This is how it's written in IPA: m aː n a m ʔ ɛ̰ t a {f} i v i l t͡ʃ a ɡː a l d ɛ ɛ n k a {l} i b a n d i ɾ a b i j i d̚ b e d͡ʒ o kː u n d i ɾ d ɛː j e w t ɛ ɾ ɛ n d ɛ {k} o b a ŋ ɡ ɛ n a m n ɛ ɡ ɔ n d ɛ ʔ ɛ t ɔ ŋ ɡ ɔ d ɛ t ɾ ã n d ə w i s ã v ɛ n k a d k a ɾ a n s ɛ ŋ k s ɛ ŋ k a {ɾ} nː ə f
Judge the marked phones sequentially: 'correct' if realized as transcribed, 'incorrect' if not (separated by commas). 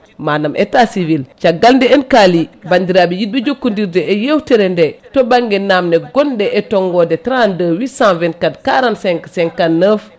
incorrect, correct, incorrect, incorrect